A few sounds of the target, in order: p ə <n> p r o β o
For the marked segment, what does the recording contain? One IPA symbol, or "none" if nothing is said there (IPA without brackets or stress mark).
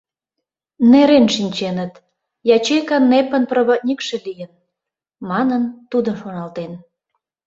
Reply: n